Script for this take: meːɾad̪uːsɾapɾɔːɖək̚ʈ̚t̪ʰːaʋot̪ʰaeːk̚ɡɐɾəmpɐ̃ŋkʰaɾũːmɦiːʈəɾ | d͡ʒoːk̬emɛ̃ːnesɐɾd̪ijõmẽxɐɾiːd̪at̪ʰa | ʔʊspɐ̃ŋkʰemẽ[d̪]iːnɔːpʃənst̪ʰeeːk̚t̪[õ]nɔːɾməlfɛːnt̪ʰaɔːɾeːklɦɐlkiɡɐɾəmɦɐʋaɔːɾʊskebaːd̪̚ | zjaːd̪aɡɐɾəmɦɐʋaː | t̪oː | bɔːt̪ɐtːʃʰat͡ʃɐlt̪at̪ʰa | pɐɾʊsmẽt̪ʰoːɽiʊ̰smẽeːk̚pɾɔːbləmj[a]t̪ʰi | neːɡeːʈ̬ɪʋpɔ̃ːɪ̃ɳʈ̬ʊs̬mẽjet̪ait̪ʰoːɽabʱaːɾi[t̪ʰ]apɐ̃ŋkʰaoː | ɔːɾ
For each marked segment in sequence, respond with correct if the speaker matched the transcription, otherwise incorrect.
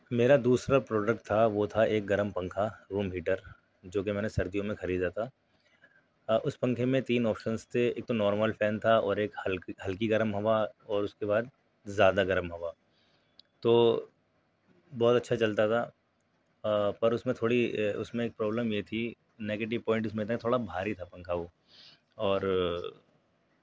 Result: incorrect: t̪, incorrect: o, incorrect: e, correct

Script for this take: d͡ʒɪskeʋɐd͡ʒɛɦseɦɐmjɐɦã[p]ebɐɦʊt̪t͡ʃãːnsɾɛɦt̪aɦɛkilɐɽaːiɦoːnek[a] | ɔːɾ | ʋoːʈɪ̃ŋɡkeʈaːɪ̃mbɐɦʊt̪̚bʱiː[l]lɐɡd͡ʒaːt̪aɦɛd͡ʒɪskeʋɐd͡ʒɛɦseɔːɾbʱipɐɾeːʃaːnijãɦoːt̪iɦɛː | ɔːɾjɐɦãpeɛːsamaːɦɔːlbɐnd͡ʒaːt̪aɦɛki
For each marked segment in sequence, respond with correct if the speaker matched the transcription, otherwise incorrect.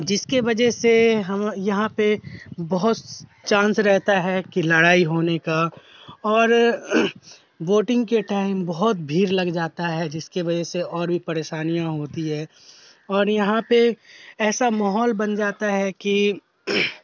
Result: correct, correct, incorrect: ɾ

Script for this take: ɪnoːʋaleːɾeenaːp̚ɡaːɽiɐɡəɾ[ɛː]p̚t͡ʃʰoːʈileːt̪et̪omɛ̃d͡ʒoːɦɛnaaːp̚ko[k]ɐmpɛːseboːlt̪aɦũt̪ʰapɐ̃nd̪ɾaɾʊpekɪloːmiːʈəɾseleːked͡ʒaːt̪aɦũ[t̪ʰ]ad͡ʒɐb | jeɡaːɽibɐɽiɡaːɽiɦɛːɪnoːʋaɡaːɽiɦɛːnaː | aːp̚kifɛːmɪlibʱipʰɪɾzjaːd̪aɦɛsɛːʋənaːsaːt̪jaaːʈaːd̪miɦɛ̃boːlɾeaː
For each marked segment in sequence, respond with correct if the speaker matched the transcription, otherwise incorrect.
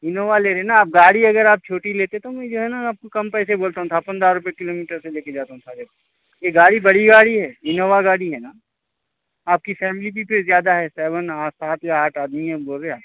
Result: incorrect: aː, correct, correct

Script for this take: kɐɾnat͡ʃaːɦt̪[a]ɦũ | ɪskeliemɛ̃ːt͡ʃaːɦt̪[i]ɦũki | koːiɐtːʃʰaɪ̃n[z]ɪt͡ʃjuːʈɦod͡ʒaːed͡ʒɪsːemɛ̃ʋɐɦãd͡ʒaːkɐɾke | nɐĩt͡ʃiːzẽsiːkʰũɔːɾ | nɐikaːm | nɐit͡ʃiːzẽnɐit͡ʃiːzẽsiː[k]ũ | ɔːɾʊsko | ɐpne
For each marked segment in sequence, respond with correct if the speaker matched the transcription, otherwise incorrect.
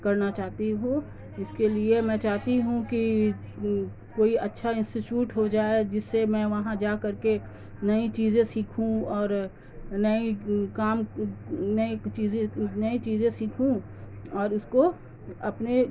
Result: incorrect: i, correct, incorrect: s, incorrect: kʰ

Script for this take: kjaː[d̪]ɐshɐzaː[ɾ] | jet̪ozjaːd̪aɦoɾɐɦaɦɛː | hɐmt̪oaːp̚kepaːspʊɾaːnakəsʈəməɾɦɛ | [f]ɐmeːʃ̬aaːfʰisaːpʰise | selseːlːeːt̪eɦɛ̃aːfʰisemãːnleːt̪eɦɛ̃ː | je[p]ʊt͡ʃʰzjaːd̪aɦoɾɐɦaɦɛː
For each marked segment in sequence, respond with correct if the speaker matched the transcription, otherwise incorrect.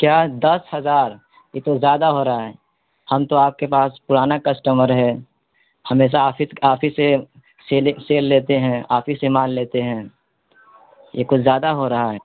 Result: correct, correct, incorrect: h, incorrect: k

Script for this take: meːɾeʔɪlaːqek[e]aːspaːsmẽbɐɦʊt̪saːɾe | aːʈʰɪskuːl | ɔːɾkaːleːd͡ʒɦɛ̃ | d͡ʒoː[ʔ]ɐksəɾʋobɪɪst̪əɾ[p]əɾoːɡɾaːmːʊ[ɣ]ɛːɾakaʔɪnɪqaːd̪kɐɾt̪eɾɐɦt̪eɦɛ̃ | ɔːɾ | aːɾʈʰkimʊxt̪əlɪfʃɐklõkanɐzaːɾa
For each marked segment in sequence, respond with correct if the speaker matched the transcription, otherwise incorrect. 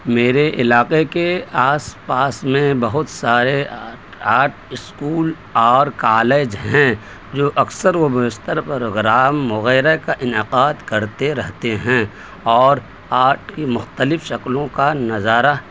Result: correct, correct, correct, correct

